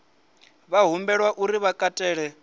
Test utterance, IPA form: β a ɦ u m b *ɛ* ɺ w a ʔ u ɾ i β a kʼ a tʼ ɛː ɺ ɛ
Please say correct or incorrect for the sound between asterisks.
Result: correct